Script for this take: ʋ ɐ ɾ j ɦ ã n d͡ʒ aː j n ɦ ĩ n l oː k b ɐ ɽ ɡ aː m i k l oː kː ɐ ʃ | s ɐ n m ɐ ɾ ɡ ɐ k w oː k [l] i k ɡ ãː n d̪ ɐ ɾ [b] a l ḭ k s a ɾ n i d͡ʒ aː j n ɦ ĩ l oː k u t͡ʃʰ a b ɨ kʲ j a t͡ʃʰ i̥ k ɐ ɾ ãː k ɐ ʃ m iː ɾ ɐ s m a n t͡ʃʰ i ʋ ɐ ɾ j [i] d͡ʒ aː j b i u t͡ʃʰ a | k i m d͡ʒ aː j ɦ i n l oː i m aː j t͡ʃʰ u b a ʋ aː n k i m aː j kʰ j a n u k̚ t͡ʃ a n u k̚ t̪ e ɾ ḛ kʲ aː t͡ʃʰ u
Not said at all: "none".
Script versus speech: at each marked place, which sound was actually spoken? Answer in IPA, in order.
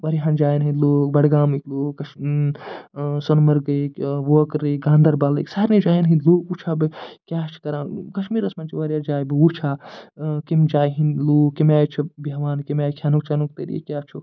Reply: ɾ, b, a

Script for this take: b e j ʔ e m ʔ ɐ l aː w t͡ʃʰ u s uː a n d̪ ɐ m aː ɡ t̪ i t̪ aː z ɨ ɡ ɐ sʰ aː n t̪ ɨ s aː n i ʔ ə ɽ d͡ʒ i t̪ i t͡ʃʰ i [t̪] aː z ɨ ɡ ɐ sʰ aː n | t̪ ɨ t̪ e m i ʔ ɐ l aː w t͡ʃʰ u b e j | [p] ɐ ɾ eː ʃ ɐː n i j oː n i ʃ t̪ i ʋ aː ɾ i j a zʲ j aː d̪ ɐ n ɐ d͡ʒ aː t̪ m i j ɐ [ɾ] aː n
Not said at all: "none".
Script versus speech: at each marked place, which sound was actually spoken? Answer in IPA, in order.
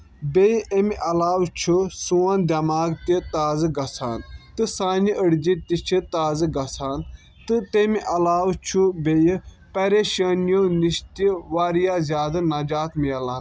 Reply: t̪, p, l

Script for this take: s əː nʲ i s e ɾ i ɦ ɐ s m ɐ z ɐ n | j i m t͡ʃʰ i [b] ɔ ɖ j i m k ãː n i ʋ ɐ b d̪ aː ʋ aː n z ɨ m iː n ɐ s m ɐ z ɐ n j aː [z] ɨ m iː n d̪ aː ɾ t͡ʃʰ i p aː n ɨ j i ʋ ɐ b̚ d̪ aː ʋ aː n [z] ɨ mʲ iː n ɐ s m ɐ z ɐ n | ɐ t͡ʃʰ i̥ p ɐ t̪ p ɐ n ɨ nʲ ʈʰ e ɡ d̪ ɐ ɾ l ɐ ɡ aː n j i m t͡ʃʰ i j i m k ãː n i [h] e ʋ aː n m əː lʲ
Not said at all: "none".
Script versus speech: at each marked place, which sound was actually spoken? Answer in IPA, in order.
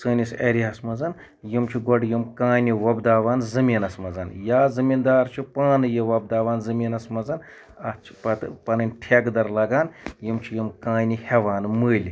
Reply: ɡ, z, z, h

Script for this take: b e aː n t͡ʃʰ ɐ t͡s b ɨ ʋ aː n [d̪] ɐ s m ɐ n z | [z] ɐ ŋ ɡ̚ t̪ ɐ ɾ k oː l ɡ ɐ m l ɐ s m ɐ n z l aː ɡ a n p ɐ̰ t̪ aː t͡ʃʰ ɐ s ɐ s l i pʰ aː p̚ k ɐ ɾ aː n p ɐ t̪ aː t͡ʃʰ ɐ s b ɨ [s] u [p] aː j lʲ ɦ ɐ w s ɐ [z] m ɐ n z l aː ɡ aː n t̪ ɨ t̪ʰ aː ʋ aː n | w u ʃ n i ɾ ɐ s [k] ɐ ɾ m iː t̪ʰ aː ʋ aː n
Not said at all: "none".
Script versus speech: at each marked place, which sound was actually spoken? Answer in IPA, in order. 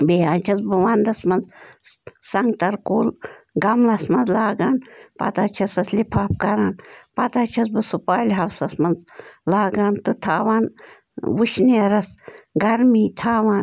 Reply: d̪, s, s, p, s, ɡ

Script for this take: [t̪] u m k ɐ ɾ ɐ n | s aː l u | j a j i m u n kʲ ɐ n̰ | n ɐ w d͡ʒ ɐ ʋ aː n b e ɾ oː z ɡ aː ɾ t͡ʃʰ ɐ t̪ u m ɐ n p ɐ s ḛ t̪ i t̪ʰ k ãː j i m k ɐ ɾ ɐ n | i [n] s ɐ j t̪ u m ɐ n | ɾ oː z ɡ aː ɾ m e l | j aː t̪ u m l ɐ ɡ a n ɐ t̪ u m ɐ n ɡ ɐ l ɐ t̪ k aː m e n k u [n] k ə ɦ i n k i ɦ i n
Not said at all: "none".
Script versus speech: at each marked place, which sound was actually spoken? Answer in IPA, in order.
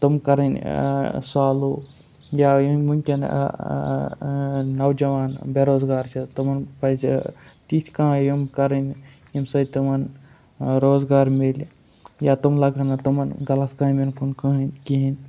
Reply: t̪, m, n

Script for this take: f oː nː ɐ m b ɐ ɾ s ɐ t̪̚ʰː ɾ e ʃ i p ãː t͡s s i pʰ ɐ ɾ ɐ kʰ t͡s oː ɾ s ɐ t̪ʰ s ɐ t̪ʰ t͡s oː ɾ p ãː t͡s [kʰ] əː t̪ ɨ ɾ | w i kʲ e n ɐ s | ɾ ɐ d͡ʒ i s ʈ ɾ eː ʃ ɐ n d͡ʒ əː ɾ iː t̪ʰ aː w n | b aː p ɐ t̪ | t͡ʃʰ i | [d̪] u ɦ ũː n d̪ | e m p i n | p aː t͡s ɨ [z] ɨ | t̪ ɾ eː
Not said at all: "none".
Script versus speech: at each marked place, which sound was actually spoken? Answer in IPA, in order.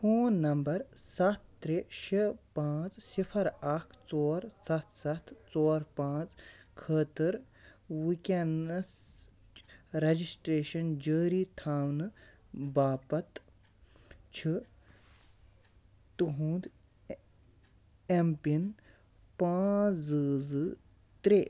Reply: kʰ, t̪, z

